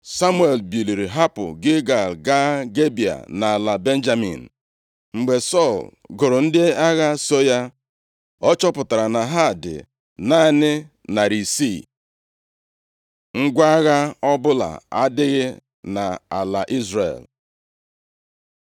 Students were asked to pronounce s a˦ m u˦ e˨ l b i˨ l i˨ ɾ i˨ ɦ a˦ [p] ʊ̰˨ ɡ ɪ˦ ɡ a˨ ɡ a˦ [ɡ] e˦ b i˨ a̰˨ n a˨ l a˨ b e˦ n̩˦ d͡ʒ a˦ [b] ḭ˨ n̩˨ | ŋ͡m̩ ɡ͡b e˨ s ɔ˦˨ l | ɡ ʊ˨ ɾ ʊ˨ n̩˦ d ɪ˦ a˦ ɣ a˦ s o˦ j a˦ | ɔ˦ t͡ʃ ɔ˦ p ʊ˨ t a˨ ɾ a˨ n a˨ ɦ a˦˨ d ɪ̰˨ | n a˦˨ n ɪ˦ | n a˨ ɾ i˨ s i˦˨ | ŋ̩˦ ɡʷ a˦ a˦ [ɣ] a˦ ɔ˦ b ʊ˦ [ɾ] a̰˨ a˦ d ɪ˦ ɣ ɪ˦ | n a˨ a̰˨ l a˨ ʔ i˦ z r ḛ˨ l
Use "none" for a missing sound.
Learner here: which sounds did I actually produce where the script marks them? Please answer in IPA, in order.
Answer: p, ɡ, m, ɣ, l

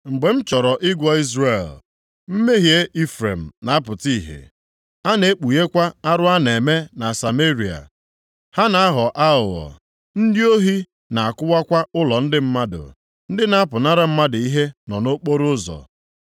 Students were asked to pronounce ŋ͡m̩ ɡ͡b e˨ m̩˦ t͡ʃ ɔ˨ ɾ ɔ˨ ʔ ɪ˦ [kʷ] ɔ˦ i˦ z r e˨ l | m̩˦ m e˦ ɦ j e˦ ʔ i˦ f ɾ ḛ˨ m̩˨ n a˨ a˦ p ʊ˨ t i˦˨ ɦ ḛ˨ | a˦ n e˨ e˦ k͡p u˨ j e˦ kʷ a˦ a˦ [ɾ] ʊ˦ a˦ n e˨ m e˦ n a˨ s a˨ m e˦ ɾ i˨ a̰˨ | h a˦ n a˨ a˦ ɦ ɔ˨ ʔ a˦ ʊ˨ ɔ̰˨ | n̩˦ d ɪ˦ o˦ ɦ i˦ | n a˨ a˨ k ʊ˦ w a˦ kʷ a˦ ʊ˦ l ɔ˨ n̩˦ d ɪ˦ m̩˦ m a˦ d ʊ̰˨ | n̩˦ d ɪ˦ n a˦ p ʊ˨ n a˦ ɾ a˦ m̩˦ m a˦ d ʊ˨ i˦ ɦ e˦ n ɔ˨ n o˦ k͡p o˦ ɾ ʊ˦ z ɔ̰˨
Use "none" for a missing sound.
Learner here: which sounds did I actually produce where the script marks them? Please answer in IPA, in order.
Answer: ɡʷ, ɾ

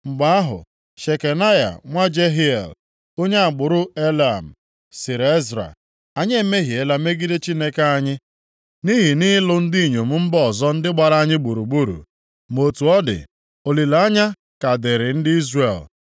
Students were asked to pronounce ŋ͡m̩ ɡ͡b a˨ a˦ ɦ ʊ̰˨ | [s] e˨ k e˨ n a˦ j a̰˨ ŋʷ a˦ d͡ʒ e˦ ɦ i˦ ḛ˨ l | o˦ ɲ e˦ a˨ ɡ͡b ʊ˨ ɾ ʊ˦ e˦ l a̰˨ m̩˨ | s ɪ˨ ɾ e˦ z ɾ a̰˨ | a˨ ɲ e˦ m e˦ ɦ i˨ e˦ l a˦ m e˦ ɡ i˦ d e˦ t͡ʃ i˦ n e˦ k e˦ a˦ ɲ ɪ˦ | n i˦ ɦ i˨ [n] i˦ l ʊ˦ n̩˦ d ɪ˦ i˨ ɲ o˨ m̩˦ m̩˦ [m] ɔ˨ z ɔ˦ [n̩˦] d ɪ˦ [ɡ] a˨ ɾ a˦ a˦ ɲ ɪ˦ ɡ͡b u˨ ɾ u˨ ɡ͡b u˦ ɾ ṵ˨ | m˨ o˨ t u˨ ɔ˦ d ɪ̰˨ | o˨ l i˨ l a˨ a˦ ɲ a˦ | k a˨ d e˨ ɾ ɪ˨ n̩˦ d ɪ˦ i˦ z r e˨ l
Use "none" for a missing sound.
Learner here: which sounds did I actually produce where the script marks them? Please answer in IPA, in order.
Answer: ʃ, n, b, n̩˦, ɡ͡b

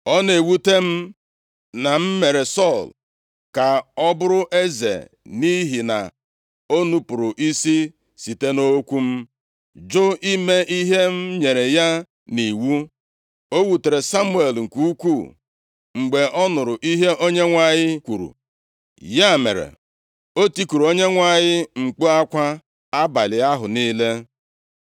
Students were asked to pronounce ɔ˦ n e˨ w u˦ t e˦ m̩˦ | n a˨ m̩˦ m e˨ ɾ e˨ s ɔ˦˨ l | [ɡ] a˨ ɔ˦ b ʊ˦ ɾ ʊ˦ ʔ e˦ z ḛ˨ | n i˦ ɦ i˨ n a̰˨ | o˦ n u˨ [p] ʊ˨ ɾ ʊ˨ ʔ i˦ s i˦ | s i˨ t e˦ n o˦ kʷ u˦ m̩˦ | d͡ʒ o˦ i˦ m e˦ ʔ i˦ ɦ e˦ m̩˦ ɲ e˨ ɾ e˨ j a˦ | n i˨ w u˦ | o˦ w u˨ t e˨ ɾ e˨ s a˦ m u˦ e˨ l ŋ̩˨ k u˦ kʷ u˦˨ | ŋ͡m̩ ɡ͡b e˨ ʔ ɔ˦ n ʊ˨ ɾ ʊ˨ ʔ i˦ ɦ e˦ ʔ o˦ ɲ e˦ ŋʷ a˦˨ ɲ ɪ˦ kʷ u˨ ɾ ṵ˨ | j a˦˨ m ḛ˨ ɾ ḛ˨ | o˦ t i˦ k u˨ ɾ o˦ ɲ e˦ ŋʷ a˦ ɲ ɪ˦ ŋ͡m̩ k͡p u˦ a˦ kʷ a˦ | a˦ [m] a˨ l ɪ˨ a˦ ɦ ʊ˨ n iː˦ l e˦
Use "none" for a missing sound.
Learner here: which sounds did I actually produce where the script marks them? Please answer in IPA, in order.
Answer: k, p, b

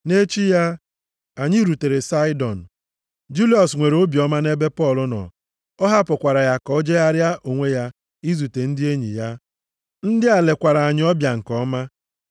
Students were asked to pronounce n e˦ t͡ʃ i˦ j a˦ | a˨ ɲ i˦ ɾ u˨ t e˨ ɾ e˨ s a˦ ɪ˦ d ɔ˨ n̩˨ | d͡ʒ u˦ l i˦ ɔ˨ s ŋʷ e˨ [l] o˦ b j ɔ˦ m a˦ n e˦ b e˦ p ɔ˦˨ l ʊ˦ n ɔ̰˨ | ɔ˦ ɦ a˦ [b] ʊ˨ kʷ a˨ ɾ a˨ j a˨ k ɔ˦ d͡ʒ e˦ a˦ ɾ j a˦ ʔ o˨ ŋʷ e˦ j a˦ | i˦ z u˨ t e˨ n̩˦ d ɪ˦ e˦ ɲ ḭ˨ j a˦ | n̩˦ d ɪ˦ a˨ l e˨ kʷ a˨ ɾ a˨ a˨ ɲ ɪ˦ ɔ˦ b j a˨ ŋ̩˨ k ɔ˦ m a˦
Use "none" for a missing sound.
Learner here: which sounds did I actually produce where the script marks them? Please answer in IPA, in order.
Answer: ɾ, p

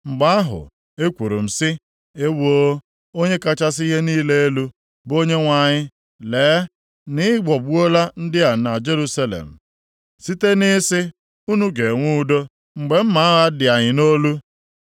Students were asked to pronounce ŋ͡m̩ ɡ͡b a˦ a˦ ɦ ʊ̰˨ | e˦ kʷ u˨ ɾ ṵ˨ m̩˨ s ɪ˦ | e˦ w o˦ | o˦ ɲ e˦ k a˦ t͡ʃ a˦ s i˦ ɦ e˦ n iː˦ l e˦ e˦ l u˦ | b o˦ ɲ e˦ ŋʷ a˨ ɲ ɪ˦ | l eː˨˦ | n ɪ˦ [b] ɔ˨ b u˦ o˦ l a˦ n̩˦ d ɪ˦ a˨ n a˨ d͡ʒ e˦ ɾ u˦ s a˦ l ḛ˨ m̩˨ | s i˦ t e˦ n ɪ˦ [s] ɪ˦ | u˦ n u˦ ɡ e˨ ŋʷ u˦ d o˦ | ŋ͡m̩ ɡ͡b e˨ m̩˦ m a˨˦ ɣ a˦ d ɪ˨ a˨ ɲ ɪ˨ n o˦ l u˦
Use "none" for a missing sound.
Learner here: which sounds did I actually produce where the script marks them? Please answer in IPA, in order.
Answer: ɡ͡b, s

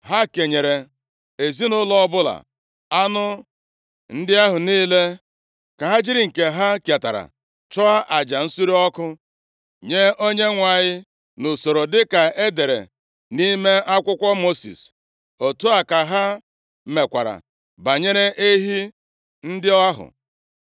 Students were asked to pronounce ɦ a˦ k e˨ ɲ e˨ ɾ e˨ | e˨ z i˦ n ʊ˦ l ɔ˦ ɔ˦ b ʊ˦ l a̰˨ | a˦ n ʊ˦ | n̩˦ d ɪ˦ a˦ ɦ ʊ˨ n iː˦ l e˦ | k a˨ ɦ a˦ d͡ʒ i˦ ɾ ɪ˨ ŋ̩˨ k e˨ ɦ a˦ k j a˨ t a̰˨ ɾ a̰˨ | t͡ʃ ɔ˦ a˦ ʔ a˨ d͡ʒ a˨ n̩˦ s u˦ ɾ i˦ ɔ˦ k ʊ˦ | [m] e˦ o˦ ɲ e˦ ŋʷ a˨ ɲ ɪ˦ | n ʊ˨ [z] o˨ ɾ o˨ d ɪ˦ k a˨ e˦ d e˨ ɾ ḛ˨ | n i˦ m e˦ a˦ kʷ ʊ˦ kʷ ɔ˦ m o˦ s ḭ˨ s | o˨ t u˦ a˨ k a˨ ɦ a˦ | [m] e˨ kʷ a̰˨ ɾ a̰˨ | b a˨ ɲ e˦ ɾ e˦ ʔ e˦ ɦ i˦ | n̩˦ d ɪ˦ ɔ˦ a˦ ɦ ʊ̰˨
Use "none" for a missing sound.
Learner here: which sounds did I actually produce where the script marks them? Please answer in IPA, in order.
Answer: ɲ, s, m

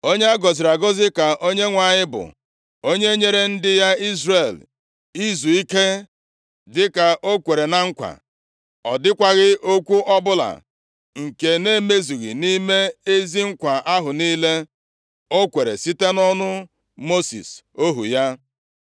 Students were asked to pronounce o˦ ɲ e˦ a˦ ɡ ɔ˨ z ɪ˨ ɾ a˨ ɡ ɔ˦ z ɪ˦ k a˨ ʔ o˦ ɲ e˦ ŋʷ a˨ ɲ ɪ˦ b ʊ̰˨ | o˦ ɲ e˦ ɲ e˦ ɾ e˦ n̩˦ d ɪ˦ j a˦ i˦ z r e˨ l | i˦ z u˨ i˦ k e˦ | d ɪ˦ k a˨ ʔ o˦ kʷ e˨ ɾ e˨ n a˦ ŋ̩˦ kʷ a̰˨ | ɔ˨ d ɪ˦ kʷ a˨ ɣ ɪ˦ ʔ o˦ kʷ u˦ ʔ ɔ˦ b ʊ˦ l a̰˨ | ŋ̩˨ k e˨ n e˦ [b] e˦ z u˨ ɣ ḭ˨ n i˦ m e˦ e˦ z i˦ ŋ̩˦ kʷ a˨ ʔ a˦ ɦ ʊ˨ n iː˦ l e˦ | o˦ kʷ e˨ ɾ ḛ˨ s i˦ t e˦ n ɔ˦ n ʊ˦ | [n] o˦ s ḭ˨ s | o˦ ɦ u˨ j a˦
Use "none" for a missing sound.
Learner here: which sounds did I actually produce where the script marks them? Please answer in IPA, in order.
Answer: m, m

